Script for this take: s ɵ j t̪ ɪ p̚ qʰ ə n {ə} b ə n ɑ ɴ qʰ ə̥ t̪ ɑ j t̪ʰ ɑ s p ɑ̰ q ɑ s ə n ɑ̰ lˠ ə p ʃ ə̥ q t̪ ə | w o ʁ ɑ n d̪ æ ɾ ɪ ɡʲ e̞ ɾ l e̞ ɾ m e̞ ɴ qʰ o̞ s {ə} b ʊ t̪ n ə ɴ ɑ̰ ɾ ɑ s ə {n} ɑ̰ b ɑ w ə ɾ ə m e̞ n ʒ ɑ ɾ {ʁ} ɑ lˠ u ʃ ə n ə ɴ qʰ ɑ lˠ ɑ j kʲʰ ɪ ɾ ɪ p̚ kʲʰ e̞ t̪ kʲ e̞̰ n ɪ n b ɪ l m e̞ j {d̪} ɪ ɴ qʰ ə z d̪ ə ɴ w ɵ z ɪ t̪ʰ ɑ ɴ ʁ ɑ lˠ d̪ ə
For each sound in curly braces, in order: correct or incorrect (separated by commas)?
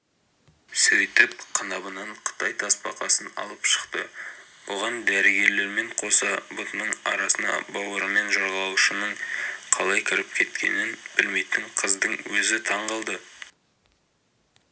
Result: incorrect, incorrect, correct, correct, incorrect